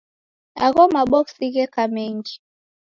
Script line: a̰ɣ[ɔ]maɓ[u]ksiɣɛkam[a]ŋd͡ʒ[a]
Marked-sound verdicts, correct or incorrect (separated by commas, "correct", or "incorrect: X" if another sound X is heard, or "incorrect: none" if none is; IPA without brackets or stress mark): correct, incorrect: ɔ, incorrect: ɛ, incorrect: i